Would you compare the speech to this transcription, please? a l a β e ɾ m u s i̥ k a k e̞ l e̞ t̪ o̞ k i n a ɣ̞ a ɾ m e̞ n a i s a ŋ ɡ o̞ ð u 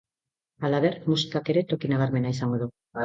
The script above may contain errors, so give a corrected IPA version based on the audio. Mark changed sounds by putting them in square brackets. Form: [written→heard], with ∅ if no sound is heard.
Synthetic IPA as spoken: a l a β e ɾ m u s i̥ k a k e̞ [l→ɾ] e̞ t̪ o̞ k i n a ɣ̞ a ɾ m e̞ n a i s a ŋ ɡ o̞ ð u